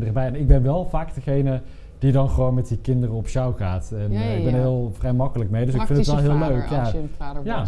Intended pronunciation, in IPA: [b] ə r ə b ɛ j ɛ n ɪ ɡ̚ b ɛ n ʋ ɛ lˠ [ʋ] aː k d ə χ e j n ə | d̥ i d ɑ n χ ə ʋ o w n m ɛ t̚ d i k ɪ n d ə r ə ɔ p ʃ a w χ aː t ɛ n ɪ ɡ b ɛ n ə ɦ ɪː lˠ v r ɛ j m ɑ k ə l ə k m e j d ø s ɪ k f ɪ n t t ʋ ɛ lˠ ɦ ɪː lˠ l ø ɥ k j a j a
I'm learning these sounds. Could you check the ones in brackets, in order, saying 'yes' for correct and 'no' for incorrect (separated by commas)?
no, no